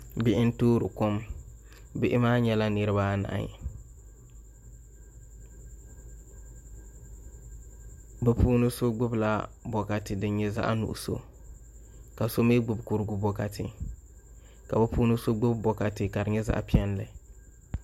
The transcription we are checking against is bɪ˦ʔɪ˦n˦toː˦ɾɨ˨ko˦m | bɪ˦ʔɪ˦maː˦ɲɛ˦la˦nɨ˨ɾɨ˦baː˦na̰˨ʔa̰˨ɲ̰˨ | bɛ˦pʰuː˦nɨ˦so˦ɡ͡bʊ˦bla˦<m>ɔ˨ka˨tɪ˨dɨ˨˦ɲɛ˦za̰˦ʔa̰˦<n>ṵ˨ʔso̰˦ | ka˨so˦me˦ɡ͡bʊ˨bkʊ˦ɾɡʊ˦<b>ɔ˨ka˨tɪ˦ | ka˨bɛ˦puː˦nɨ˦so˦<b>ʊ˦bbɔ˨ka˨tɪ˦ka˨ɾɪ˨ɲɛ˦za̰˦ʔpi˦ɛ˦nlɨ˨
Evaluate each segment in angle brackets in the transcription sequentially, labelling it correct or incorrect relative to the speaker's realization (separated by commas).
incorrect, correct, correct, incorrect